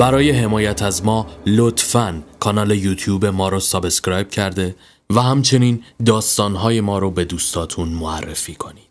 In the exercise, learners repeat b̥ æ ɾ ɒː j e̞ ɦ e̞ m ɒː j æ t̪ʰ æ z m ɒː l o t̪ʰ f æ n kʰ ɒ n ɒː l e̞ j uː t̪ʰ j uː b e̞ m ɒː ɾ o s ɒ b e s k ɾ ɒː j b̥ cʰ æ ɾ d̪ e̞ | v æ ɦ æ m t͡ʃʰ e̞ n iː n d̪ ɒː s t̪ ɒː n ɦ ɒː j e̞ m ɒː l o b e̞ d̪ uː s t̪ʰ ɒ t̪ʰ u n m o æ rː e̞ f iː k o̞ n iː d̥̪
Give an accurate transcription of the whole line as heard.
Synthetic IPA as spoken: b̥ æ ɾ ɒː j e̞ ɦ e̞ m ɒː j æ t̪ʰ æ z m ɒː l o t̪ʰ f æ n kʰ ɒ n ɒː l e̞ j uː t̪ʰ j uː b e̞ m ɒː ɾ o s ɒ b e s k ɾ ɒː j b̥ cʰ æ ɾ d̪ e̞ | v æ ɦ æ m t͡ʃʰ e̞ n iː n d̪ ɒː s t̪ ɒː n ɦ ɒː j e̞ m ɒː ɾ o b e̞ d̪ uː s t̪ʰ ɒː t̪ʰ u n m o æ rː e̞ f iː kʰ o̞ n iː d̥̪